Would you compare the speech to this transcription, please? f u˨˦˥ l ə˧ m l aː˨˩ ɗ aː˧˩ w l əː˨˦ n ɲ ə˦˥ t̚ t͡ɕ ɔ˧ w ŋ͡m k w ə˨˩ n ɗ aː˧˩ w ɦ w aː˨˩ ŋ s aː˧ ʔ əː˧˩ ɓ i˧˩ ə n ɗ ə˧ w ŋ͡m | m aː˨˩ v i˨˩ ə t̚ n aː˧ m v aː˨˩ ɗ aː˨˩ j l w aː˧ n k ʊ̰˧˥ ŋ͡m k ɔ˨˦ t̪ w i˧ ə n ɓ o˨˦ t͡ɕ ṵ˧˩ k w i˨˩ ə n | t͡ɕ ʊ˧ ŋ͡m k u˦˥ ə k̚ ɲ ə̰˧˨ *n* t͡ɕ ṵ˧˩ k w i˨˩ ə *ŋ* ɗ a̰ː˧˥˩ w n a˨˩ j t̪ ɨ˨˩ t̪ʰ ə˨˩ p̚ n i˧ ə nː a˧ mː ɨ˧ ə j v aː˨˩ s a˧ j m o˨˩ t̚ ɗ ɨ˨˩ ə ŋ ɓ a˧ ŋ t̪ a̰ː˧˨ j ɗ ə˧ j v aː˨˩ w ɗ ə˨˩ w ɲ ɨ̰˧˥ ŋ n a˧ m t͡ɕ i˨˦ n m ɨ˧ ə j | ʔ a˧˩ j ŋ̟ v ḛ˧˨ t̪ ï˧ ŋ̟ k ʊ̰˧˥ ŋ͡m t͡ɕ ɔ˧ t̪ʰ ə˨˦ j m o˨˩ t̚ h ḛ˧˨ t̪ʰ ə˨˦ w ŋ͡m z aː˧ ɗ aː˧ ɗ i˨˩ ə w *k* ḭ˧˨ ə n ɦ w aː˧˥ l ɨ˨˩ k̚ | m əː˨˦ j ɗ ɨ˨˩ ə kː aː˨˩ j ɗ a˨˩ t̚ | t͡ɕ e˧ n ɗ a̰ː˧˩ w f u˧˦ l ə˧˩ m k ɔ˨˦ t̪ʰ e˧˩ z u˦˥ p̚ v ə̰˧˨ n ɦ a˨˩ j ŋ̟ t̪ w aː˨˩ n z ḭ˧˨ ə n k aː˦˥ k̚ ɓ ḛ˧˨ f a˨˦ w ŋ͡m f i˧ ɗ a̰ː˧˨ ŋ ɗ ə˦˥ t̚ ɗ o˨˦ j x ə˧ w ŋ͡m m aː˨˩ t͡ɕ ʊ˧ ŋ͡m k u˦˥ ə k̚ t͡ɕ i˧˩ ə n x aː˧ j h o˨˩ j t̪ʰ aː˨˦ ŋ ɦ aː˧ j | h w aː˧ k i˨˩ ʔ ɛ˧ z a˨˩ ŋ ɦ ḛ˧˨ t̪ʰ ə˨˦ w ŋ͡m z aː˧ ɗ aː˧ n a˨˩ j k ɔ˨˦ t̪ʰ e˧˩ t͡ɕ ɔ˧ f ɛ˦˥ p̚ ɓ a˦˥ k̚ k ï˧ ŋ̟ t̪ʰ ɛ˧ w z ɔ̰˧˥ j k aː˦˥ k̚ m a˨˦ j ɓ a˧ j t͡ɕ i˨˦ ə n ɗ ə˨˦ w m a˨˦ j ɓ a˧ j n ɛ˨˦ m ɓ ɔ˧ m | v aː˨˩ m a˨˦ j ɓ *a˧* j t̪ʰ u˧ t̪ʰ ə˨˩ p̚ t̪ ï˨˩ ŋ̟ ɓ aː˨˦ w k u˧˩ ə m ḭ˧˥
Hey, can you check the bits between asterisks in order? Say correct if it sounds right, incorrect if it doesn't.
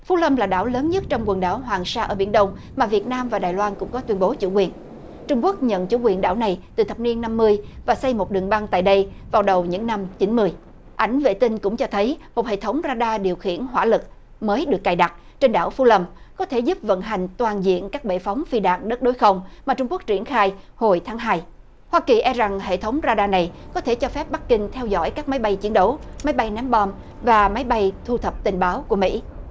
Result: correct, incorrect: n, incorrect: x, correct

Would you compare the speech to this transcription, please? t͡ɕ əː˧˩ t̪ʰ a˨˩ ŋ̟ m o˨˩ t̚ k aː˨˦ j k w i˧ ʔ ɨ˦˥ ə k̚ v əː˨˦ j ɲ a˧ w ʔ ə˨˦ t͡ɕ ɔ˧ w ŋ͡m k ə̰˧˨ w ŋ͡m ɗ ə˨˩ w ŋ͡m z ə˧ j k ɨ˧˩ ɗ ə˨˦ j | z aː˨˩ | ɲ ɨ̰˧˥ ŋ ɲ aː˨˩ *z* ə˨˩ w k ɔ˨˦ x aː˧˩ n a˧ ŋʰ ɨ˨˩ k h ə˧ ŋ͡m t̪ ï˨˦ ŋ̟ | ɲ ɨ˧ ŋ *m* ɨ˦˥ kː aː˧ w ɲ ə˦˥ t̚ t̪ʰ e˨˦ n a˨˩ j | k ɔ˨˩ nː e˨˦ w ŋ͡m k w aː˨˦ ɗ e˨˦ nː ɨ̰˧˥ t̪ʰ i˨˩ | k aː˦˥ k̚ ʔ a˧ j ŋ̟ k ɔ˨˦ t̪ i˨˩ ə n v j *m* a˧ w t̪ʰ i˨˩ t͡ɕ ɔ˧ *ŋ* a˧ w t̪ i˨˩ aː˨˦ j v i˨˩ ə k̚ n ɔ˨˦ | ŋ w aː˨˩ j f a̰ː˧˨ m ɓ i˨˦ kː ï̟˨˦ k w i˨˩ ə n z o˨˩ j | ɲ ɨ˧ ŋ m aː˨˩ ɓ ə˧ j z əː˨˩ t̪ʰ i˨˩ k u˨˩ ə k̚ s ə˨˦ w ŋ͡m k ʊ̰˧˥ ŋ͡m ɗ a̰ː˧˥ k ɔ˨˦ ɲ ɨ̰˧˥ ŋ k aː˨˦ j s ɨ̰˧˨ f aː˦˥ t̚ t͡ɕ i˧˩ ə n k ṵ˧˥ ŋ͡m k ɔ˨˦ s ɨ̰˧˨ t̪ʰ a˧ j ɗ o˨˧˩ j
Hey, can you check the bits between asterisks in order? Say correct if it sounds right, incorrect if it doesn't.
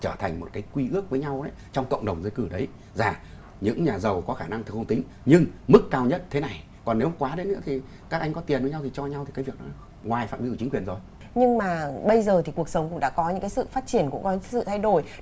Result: correct, correct, incorrect: ɲ, incorrect: ɲ

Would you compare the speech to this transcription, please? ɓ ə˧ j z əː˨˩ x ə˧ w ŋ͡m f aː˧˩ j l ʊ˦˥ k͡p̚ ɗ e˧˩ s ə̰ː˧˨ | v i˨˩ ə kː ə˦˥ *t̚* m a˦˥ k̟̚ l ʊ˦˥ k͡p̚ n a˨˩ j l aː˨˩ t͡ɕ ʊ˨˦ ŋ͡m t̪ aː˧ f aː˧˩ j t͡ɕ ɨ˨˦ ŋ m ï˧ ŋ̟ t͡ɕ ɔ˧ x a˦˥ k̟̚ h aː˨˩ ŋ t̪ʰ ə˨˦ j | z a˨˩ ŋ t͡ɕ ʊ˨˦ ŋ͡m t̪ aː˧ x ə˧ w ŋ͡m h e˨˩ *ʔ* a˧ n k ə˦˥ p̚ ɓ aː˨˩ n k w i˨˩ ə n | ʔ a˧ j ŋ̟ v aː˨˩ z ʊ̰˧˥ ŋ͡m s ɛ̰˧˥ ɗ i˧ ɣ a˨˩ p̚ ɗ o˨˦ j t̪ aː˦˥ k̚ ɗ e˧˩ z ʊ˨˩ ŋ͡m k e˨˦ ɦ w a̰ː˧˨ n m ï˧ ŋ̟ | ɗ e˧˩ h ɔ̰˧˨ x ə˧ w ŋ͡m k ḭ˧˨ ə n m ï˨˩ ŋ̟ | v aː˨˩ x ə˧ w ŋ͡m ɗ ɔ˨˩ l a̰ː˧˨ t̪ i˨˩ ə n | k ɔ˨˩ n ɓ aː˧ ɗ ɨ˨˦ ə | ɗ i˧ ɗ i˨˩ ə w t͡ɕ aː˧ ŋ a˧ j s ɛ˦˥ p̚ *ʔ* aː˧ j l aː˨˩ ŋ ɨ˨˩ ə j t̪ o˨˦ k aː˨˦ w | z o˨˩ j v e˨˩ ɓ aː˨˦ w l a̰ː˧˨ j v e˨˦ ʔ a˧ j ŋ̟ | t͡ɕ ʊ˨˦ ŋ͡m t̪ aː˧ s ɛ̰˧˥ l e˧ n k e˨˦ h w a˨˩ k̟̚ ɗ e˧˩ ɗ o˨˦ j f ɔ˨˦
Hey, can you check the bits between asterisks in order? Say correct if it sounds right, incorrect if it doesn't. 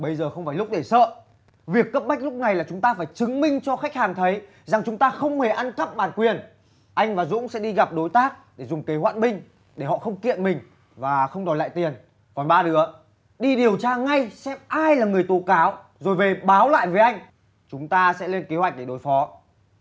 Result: incorrect: p̚, correct, correct

